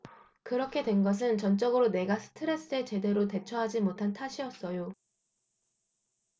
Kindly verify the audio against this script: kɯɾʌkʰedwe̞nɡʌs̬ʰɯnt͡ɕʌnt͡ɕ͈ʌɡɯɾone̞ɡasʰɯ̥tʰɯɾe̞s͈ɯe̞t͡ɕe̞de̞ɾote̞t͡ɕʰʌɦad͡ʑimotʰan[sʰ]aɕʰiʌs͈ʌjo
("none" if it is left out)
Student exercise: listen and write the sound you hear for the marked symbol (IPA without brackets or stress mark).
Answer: tʰ